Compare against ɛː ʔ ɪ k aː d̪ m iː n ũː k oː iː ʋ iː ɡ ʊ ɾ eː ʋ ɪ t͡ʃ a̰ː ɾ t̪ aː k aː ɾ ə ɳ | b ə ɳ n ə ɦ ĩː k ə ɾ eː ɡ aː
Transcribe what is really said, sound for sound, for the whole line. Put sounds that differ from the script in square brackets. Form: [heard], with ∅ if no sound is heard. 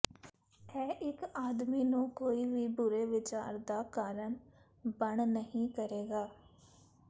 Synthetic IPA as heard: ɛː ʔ ɪ k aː d̪ m iː n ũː k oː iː ʋ iː [b] ʊ ɾ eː ʋ ɪ t͡ʃ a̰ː ɾ [d̪] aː k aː ɾ ə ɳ | b ə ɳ n ə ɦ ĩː k ə ɾ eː ɡ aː